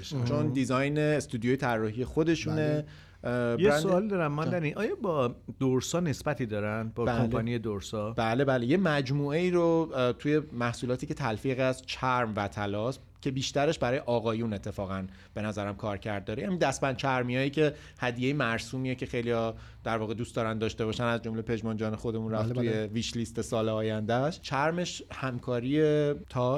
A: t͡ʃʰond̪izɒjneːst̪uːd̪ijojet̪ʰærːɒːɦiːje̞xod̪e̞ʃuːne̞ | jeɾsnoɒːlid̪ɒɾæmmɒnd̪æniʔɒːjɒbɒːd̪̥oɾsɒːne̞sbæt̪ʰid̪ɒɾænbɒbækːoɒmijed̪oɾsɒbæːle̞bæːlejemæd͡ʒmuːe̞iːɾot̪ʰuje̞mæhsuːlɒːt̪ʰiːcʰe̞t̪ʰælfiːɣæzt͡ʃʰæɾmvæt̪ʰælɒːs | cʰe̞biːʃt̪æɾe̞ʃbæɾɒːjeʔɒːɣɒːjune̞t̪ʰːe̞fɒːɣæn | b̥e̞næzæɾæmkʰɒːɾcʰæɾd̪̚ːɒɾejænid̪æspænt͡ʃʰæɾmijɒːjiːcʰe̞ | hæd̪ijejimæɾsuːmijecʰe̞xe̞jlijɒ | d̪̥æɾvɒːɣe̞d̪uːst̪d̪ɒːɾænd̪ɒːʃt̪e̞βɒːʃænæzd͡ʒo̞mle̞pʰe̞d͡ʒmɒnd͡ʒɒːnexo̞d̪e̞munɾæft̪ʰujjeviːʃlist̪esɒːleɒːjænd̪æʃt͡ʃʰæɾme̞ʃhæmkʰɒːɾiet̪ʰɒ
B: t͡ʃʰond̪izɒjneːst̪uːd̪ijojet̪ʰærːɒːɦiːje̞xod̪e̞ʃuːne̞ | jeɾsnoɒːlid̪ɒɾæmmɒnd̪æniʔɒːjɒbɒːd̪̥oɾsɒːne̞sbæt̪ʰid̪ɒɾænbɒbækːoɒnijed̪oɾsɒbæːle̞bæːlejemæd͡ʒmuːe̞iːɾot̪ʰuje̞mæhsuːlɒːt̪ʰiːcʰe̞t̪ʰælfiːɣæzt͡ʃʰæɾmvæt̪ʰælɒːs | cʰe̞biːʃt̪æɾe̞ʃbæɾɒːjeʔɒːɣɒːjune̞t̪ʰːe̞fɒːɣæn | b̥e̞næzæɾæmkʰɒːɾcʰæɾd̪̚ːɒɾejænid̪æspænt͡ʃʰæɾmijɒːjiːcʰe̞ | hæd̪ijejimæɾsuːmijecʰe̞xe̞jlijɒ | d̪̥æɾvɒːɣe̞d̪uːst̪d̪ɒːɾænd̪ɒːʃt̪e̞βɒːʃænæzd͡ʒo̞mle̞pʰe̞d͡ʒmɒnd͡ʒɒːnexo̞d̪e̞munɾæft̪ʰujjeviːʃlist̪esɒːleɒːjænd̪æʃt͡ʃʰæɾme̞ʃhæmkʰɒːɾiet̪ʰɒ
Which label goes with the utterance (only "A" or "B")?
B